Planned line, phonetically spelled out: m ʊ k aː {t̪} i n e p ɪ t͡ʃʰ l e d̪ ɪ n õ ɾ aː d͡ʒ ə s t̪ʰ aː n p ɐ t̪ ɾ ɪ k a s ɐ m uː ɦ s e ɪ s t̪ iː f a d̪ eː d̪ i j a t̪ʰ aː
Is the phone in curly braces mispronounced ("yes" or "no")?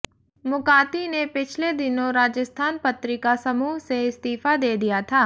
no